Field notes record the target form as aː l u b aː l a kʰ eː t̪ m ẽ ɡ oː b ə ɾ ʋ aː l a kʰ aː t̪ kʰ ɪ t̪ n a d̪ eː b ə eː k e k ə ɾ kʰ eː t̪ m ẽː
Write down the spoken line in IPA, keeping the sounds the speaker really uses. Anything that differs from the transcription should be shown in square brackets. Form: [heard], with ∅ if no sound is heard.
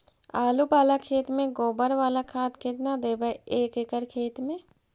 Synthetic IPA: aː l u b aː l a kʰ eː t̪ m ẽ ɡ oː b ə ɾ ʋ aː l a kʰ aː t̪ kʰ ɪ t̪ n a d̪ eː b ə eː k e k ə ɾ kʰ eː t̪ m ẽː